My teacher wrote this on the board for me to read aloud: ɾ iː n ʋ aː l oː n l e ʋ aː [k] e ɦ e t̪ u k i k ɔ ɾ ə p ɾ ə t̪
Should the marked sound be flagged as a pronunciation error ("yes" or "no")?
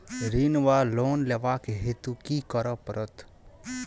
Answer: no